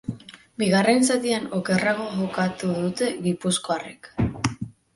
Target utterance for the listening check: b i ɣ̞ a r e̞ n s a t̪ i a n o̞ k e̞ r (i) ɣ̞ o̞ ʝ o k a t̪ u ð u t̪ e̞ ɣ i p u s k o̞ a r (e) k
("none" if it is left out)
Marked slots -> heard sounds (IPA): a, e

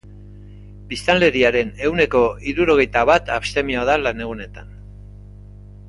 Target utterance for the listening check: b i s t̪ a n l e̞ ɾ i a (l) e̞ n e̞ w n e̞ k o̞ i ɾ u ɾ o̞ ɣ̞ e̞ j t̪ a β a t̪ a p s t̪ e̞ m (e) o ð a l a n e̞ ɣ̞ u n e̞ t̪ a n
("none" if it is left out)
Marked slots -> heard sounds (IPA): ɾ, i

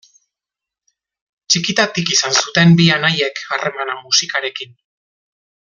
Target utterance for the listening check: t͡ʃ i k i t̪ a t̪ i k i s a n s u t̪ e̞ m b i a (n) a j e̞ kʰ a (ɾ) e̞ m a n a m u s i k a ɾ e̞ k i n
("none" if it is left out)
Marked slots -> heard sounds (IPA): n, r

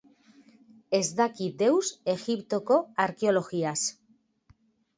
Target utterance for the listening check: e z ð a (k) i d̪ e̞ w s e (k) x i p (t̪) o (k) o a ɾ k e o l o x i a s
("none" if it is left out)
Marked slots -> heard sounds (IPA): k, none, t̪, k

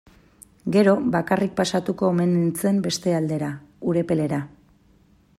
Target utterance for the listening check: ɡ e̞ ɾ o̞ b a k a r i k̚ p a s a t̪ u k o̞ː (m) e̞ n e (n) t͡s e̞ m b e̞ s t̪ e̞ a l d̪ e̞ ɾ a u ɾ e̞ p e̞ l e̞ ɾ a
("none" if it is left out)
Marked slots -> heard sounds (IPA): m, n

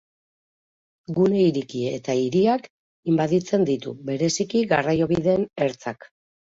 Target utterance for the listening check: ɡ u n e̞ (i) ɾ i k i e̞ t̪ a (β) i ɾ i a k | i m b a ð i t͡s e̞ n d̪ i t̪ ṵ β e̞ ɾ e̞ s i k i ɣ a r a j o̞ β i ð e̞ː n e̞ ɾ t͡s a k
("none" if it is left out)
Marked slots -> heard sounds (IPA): i, none

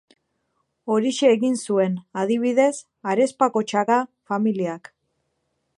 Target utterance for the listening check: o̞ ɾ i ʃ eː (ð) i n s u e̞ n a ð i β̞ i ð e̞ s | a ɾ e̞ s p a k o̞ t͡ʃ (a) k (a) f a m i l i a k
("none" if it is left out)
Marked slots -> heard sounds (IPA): ɣ, a, a

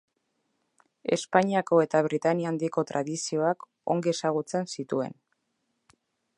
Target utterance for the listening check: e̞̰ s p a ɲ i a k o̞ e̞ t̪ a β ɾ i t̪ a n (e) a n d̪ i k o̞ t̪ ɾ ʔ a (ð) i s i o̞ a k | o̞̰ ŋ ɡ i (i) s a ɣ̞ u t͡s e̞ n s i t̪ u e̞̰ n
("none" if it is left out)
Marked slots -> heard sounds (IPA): i, ð, e

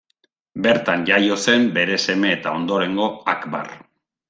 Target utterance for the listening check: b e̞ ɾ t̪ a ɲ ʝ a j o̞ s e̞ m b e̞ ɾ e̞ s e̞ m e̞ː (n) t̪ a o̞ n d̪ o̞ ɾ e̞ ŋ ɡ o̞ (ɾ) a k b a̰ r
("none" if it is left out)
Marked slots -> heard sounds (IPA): none, none

